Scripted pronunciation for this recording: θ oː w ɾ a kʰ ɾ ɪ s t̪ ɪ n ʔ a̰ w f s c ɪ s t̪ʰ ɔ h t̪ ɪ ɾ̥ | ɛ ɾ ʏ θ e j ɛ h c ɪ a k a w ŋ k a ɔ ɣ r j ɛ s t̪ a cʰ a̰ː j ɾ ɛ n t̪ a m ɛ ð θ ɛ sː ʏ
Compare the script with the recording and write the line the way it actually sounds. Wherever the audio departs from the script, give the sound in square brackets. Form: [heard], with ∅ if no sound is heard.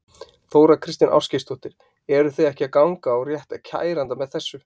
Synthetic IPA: θ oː w ɾ a kʰ ɾ ɪ s t̪ ɪ n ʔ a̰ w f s c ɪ s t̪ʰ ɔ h t̪ ɪ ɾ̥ | ɛ ɾ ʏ θ e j ɛ h c ɪ a k a w ŋ k a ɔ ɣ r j ɛ [h] t̪ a cʰ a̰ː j ɾ [a] n t̪ a m ɛ ð θ ɛ sː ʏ

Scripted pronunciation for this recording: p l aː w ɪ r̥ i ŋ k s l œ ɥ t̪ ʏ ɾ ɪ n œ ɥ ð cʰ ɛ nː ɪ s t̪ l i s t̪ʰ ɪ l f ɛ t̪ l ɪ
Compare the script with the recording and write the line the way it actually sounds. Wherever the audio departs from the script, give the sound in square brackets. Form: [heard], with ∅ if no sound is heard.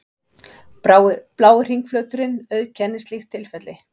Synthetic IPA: p l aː w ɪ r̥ i ŋ k [f] l œ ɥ t̪ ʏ ɾ ɪ n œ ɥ ð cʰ ɛ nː ɪ s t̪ l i [x] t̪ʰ ɪ l f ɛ t̪ l ɪ

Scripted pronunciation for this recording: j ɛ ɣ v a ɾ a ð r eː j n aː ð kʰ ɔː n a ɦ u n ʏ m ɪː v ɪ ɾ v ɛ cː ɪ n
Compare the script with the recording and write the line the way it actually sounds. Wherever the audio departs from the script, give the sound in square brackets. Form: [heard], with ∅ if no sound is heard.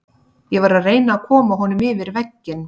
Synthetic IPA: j ɛ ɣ v a ɾ a ð r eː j n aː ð kʰ ɔː [m] a ɦ [ɔ] n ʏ m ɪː v ɪ ɾ v ɛ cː ɪ n

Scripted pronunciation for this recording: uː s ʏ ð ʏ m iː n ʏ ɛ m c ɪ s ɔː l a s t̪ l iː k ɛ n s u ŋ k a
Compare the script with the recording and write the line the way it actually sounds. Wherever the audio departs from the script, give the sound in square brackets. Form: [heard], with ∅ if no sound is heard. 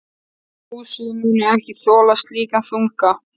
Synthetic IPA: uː s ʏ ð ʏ m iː n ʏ ɛ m c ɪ [θ] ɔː l a s t̪ l iː k [a] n [θ] u ŋ k a

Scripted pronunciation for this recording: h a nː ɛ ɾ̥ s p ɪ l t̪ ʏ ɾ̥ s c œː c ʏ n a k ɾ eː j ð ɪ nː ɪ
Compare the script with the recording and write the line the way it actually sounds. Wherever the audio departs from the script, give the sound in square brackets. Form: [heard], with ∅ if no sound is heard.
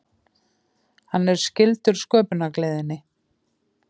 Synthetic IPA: h a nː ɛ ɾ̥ s [c] ɪ l t̪ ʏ ɾ̥ s [k] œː [p] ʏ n a k [l] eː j ð ɪ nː ɪ

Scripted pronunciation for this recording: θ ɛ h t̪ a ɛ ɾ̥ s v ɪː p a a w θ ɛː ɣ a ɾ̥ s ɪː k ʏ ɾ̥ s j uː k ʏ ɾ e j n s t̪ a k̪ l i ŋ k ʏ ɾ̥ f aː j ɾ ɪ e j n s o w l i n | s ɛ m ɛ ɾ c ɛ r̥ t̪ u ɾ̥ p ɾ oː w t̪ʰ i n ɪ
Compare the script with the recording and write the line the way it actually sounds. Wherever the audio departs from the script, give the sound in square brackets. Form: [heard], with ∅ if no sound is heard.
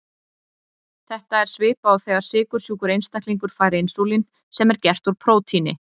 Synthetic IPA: θ ɛ h t̪ a ɛ ɾ̥ s v ɪː p a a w θ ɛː ɣ a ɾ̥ s ɪː k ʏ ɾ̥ s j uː k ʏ ɾ e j n s t̪ a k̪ l i ŋ k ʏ ɾ̥ f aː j ɾ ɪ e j n s o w l i n | s ɛ m ɛ ɾ c ɛ r̥ t̪ u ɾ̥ [pʰ] ɾ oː w t̪ʰ i n ɪ

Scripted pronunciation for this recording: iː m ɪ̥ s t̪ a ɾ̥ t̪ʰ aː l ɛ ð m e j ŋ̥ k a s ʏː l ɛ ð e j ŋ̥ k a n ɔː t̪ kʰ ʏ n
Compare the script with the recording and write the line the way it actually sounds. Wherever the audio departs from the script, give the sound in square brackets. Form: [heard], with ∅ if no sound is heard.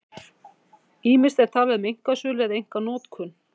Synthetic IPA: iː m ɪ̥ s t̪ [ɛ] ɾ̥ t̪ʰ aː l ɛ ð m e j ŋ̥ k a s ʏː l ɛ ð e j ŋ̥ k a n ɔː t̪ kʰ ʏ n

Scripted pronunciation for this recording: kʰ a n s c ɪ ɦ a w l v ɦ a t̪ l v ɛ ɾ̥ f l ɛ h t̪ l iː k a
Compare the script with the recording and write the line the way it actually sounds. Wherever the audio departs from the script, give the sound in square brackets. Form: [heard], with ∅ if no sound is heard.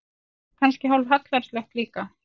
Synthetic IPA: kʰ a n s c ɪ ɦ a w l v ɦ a t̪ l v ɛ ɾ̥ [s] l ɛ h t̪ l iː k a

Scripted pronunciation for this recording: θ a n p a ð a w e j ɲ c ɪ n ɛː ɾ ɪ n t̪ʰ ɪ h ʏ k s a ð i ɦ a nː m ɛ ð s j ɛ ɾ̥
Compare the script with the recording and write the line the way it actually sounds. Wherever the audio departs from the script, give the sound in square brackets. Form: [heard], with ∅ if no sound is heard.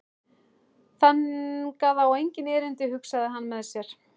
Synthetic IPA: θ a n [k] a ð a w e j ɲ c ɪ n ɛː ɾ ɪ n [t̪] ɪ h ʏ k s a ð [ɪ] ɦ a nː m ɛ ð s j ɛ ɾ̥

